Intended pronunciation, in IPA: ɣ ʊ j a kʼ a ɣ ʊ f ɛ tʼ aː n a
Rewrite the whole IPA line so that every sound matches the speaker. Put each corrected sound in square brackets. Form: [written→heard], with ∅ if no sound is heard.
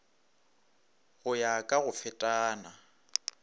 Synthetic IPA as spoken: ɣ ʊ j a kʼ a ɣ ʊ f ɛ tʼ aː n a